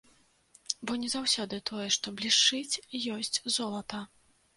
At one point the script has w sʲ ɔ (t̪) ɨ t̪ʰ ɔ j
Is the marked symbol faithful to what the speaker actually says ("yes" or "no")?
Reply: no